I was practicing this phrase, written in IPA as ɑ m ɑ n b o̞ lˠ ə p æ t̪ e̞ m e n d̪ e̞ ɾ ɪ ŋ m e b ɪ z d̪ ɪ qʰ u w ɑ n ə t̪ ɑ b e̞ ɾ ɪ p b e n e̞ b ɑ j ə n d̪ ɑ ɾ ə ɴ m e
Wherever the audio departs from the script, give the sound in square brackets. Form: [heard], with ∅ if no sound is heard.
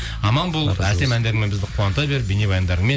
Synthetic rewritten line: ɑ m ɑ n b o̞ lˠ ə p æ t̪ e̞ m [æ] n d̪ e̞ ɾ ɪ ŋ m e b ɪ z d̪ ɪ qʰ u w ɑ n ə t̪ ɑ b e̞ ɾ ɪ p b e n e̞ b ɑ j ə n d̪ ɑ ɾ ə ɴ m e